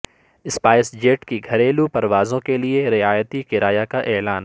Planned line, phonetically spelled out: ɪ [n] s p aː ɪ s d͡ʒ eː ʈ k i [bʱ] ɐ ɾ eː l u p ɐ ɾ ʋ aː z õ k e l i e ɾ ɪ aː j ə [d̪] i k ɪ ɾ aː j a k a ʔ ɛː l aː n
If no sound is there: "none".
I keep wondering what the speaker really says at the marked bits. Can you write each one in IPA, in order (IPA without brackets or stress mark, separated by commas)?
none, ɡʱ, t̪